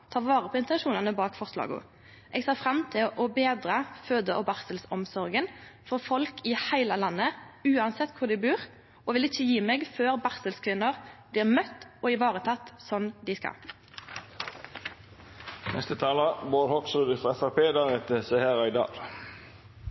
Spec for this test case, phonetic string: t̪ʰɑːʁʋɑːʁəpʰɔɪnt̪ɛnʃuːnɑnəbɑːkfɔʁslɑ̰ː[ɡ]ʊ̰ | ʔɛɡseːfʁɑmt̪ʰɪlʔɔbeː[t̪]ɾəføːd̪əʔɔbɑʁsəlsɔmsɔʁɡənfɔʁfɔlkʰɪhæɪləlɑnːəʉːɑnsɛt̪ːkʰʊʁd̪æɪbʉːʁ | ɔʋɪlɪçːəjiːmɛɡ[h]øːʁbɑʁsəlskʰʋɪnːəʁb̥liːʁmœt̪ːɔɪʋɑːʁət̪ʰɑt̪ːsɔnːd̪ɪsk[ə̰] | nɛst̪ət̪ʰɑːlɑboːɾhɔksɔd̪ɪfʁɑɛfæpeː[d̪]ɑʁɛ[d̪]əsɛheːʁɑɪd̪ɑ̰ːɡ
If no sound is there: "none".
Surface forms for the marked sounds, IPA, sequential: ɡ, d̪, f, ɑ̰, d̪, t̪

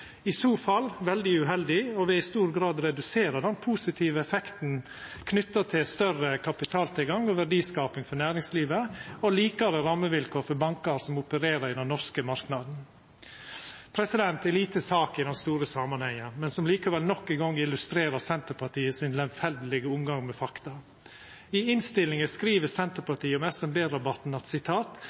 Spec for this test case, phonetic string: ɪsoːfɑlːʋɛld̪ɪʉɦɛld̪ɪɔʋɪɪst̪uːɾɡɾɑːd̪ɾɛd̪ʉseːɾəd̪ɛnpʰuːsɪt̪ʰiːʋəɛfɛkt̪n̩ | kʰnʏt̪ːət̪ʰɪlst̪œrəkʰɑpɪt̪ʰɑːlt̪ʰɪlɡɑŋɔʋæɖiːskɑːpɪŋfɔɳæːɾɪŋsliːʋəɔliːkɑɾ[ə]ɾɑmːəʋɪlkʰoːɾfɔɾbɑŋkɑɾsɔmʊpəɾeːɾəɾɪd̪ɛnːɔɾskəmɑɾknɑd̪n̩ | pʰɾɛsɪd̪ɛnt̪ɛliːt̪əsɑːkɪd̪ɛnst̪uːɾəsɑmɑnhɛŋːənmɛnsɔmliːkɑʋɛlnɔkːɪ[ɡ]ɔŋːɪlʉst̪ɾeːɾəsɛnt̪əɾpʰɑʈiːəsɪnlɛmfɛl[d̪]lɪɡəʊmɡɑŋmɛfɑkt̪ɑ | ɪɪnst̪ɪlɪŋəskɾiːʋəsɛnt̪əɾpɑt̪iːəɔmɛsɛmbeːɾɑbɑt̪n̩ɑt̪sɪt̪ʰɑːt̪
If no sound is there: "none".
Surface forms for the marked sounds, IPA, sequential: ə, ɡ, d̪

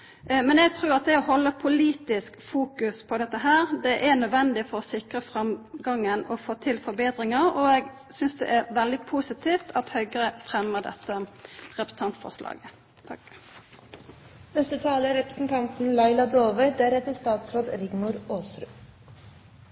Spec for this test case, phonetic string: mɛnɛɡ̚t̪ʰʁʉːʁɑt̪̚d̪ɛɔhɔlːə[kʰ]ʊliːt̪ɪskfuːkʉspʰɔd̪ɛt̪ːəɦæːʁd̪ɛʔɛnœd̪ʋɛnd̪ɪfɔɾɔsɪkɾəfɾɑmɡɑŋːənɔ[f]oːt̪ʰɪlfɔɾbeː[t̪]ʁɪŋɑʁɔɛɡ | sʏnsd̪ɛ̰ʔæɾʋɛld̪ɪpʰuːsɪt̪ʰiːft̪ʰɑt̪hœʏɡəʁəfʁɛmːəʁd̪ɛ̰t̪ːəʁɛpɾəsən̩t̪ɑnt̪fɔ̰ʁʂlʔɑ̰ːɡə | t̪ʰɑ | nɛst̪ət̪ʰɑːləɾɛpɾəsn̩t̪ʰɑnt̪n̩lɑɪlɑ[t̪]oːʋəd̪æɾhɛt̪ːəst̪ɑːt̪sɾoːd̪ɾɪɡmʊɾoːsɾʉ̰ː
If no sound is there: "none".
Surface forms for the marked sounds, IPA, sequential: pʰ, f, d̪, d̪

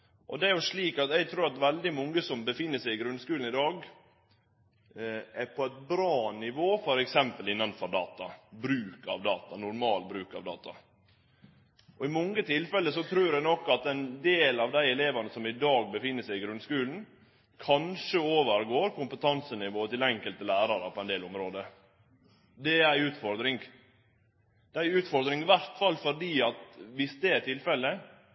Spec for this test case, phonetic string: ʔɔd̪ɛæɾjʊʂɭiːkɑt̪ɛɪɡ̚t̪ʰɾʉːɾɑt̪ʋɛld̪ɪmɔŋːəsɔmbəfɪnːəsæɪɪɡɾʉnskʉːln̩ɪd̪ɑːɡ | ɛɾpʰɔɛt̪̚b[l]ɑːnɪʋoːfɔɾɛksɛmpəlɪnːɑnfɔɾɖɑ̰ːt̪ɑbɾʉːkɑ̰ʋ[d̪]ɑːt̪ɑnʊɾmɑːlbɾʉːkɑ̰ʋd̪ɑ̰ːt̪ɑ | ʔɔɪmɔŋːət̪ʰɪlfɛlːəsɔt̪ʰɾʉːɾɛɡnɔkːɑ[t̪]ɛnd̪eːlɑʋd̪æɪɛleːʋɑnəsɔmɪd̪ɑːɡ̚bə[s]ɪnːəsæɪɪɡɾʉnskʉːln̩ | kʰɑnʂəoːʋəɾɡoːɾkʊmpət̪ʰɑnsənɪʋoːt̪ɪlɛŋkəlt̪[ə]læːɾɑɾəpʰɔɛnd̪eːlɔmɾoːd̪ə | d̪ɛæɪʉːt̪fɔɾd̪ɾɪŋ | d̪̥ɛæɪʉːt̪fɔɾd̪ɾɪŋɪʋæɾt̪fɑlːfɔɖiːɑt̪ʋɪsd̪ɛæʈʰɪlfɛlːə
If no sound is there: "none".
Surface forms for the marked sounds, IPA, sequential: ɾ, d̪, t̪, f, ə

